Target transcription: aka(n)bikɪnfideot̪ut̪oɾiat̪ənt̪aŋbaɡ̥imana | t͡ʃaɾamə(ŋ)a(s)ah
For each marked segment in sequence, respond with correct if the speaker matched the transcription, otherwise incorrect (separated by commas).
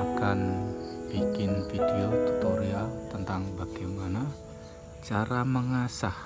correct, correct, correct